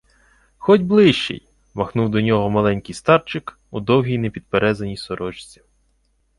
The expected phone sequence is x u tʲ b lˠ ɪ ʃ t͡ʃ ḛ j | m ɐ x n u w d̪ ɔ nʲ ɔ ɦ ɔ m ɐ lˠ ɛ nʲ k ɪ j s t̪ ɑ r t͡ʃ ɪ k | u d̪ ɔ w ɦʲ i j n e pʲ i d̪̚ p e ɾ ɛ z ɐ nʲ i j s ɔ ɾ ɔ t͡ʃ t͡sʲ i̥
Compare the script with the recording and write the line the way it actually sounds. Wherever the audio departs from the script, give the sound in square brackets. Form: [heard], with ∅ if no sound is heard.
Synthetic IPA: x [ɔ] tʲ b lˠ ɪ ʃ t͡ʃ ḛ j | m ɐ x n u w d̪ ɔ nʲ ɔ ɦ ɔ m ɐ lˠ ɛ nʲ k ɪ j s t̪ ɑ r t͡ʃ ɪ k | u d̪ ɔ w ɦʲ i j n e pʲ i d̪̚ p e ɾ ɛ z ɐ nʲ i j s ɔ ɾ ɔ t͡ʃ t͡sʲ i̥